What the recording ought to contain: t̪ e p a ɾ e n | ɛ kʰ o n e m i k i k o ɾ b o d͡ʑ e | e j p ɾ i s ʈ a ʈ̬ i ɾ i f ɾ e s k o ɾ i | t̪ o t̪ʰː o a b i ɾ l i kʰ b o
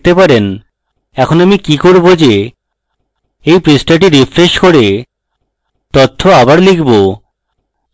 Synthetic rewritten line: t̪ e p a ɾ e n | ɛ kʰ o n a m i k i k o ɾ b o d͡ʑ e | e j p ɾ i s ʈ a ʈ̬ i ɾ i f ɾ e ʃ k o ɾ e | t̪ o t̪ʰː o a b a ɾ l i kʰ b o

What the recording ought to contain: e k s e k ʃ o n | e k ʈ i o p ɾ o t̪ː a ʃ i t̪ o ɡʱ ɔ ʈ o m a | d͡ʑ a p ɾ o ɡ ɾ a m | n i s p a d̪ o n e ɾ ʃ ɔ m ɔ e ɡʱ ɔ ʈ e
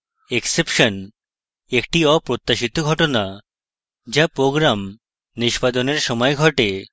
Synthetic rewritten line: e k s e p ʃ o n | e k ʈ i ɔ p ɾ o t̪ː a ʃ i t̪ o ɡʱ ɔ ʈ o n a | d͡ʑ a p ɾ o ɡ ɾ a m | n i ʃ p a d̪ o n e ɾ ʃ ɔ m ɔ e ɡʱ ɔ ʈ e

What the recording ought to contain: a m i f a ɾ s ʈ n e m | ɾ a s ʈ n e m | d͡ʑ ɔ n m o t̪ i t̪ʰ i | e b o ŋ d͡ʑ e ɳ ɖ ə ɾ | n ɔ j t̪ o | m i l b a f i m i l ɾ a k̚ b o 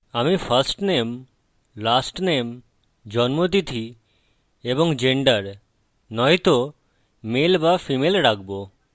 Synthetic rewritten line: a m i f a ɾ s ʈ n e m | l a s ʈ n e m | d͡ʑ ɔ n m o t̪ i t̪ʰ i | e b o ŋ d͡ʑ e ɳ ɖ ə ɾ | n ɔ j t̪ o | m e l b a f i m e l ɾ a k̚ b o

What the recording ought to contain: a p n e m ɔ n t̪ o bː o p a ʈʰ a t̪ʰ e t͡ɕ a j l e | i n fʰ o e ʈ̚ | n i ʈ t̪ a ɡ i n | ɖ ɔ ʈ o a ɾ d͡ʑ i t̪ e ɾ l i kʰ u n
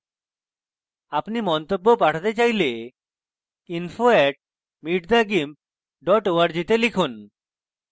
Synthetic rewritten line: a p n i m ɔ n t̪ o bː o p a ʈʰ a t̪ e t͡ɕ a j l e | i n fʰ o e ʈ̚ | m i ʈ d̪ a ɡ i m | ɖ ɔ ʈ o a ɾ d͡ʑ i t̪ e l i kʰ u n

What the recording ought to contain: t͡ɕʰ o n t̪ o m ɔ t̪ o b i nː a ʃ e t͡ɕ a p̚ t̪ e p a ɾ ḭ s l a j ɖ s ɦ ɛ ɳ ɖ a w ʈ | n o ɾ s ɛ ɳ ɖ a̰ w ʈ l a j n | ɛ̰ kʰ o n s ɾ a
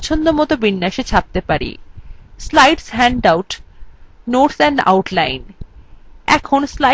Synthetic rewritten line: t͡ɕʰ o n d̪ o m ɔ t̪ o b i nː a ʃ e t͡ɕʰ a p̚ t̪ e p a ɾ ḭ s l a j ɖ s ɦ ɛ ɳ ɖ a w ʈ | n o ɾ s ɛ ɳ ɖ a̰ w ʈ l a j n | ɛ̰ kʰ o n s l a

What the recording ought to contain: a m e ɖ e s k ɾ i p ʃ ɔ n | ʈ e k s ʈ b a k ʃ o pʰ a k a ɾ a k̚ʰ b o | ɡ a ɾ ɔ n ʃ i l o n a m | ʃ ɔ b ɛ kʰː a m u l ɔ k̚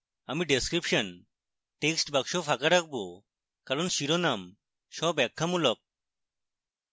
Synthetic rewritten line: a m i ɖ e s k ɾ i p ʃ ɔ n | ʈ e k s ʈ b a k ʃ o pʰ a k a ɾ a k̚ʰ b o | k a ɾ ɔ n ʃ i ɾ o n a m | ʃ ɔ b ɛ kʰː a m u l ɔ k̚

